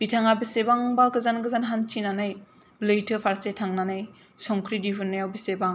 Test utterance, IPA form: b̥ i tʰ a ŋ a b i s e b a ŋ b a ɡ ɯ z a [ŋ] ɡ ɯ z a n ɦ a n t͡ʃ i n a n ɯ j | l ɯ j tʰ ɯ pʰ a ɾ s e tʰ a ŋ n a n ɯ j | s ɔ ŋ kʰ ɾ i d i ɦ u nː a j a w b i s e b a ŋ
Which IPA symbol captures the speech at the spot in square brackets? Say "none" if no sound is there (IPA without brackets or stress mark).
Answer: n